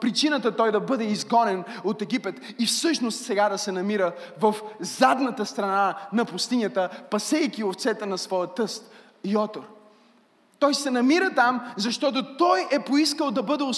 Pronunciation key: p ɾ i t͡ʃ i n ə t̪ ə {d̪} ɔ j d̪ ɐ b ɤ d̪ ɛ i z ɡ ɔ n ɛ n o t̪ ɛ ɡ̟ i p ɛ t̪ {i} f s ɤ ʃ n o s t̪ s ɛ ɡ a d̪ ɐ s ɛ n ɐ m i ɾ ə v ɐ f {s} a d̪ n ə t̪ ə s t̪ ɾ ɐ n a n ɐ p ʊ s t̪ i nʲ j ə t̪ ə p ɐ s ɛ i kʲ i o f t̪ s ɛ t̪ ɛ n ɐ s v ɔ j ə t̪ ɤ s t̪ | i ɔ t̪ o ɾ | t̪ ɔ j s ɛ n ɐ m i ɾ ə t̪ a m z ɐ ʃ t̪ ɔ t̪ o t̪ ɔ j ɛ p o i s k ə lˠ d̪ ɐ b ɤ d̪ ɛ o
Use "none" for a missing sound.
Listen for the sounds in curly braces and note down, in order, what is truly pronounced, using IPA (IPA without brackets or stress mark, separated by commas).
t̪, i, z